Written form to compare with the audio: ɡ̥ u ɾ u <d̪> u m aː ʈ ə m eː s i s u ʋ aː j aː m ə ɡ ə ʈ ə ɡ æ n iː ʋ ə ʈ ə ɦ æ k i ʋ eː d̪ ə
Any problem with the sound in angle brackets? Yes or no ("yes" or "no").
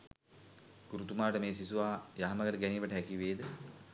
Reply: yes